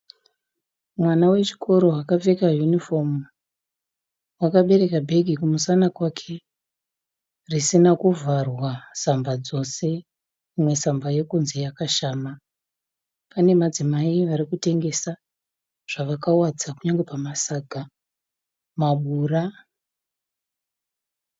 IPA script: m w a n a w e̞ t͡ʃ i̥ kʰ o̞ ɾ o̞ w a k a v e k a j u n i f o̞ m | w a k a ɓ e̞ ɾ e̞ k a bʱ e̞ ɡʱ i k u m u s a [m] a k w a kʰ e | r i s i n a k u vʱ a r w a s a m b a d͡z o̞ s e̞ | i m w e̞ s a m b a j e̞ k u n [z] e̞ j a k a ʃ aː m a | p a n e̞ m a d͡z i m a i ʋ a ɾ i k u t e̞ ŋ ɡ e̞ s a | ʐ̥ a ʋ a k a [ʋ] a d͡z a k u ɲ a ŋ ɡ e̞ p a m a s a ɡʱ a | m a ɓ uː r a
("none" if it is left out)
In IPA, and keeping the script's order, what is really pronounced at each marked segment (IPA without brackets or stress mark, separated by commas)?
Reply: n, z, w